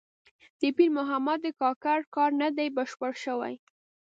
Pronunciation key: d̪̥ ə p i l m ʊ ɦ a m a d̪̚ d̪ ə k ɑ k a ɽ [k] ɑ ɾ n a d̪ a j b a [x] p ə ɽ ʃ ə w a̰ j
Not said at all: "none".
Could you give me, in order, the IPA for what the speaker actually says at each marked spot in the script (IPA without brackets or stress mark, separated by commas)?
k, ʃ